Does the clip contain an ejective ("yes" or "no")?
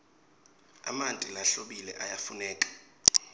yes